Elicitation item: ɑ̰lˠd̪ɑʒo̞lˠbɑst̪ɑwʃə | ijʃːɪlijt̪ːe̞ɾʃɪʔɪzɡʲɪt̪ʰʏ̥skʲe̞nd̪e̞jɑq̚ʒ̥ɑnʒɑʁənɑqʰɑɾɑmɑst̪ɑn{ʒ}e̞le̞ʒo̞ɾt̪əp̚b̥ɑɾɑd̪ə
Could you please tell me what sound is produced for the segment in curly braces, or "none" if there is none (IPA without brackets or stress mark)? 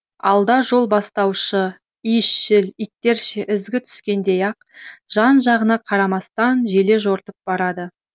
ʒ